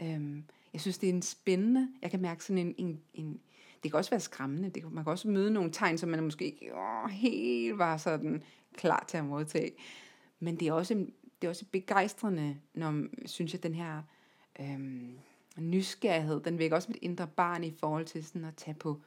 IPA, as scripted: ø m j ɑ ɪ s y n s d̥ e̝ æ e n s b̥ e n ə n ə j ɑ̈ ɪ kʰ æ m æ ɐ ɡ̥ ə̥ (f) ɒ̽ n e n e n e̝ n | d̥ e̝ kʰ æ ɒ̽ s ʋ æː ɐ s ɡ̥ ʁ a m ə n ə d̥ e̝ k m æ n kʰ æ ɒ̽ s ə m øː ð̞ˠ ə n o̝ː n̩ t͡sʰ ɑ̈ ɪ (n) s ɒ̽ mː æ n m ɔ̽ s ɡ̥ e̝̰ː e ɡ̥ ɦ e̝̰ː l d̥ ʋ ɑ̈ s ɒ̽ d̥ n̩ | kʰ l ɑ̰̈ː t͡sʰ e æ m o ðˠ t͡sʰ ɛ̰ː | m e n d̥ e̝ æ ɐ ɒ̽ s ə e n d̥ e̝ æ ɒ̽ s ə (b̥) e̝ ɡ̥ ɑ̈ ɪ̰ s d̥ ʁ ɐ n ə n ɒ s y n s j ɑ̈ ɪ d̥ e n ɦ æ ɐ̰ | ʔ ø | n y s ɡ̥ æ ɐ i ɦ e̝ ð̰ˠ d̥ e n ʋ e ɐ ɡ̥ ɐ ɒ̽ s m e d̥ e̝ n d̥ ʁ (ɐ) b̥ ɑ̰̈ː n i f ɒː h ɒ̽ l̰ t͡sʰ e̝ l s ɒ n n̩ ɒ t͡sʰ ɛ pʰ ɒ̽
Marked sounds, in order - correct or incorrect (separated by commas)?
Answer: incorrect, correct, correct, correct